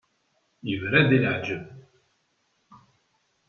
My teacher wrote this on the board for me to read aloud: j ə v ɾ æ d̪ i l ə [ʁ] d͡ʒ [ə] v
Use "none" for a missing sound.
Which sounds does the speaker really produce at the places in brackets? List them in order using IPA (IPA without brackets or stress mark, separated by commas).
ʕ, ə